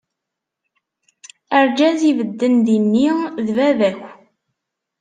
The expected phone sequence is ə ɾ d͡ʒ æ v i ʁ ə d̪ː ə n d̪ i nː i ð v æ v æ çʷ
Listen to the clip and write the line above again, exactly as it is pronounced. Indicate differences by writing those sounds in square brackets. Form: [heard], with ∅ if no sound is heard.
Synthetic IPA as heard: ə ɾ d͡ʒ æ [z] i [v] ə d̪ː ə n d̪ i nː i ð v æ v æ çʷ